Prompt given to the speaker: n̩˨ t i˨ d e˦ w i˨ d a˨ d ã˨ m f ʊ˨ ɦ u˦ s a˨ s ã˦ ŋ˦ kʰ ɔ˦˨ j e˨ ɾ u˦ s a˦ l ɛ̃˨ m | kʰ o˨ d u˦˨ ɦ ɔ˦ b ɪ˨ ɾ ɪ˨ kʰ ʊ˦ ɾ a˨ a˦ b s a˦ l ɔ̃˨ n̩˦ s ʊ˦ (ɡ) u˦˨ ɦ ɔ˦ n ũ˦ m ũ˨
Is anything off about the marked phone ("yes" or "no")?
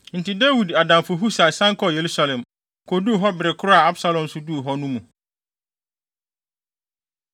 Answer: yes